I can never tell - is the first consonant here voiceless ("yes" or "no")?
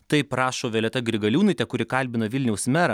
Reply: yes